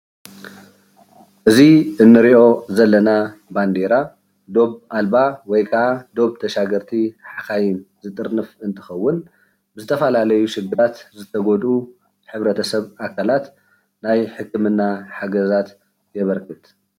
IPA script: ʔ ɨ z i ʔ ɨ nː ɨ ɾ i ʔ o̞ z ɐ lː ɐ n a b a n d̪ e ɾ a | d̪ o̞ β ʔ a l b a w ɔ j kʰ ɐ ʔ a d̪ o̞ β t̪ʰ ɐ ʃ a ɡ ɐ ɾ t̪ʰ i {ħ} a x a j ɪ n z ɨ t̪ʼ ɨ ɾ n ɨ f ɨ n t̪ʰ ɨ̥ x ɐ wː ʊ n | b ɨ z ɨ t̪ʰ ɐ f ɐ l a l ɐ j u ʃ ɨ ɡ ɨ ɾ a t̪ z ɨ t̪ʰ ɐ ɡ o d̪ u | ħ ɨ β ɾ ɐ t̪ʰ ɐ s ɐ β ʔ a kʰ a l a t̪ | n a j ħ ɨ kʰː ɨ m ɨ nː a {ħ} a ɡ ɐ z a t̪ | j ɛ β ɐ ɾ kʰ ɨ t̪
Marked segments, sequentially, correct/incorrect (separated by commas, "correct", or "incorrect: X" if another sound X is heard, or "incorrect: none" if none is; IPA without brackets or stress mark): correct, correct